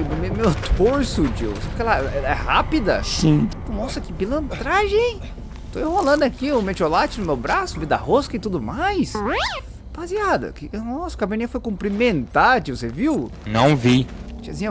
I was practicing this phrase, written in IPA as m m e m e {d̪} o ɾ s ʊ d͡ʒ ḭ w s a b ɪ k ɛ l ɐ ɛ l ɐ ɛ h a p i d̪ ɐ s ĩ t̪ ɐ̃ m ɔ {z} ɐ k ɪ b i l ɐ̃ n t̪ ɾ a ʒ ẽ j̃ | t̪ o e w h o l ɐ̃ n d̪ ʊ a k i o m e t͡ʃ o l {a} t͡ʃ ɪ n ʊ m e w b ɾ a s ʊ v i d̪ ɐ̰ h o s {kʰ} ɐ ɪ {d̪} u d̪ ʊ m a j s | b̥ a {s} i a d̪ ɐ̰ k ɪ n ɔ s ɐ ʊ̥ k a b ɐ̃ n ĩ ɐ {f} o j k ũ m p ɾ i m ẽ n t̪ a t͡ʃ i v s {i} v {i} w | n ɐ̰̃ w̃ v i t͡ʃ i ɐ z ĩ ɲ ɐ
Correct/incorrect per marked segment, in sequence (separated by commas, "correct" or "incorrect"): incorrect, incorrect, correct, incorrect, incorrect, incorrect, correct, incorrect, correct